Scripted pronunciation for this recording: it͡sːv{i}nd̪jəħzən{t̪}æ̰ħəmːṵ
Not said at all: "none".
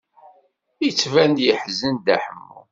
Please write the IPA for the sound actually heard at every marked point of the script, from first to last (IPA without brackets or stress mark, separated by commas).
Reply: æ, d̪